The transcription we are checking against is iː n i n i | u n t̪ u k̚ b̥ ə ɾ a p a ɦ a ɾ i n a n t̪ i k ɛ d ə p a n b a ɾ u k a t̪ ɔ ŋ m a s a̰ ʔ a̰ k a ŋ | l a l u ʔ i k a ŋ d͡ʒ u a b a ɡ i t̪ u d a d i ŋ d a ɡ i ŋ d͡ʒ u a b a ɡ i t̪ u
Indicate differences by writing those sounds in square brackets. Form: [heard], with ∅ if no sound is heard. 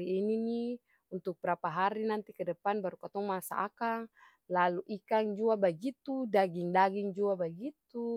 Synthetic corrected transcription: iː n i n i | u n t̪ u k̚ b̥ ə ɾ a p a ɦ a ɾ i n a n t̪ i k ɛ d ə p a n b a ɾ u k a t̪ ɔ ŋ m a s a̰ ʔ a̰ k a ŋ | l a l u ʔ i k a ŋ d͡ʒ u a b a ɡ i t̪ u d a [ɡ] i ŋ d a ɡ i ŋ d͡ʒ u a b a ɡ i t̪ u